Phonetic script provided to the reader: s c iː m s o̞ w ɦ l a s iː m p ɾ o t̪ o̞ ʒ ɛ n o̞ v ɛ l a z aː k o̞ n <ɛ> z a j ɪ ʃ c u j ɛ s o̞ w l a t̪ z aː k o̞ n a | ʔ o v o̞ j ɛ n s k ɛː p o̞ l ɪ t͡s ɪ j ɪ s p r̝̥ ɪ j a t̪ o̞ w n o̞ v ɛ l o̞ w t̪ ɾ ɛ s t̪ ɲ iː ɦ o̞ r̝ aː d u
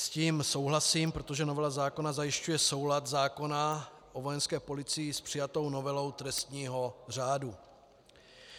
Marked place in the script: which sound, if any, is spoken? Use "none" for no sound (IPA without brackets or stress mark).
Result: a